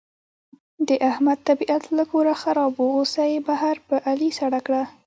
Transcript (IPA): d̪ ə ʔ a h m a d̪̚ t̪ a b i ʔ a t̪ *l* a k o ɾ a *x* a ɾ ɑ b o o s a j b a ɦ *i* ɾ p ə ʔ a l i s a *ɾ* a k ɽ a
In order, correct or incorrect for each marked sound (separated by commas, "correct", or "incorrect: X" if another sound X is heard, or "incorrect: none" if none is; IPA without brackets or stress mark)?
correct, correct, incorrect: a, incorrect: ɽ